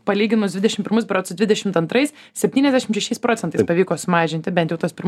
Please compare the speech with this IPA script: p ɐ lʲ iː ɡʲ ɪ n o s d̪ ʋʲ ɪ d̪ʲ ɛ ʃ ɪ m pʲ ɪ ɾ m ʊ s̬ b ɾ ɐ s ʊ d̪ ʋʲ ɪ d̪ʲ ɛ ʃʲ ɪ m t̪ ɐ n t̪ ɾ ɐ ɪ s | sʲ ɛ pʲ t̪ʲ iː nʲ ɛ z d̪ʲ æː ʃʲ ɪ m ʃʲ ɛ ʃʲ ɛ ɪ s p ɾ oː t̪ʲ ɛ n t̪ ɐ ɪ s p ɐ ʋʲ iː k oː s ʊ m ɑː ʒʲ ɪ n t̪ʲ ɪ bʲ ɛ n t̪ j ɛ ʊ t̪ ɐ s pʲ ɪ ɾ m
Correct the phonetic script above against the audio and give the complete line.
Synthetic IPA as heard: p ɐ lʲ iː ɡʲ ɪ n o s d̪ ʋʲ ɪ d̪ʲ ɛ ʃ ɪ m pʲ ɪ ɾ m ʊ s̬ b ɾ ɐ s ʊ d̪ ʋʲ ɪ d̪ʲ ɛ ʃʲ ɪ m t̪ ɐ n t̪ ɾ ɐ ɪ s | sʲ ɛ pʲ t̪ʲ iː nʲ ɛ z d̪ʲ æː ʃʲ ɪ m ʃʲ ɛ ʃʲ ɛ ɪ s p ɾ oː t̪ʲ ɛ n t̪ ɐ ɪ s p ɐ ʋʲ iː k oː s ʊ m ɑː ʒʲ ɪ n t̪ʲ ɪ bʲ ɛ n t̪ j ɛ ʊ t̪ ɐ s pʲ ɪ ɾ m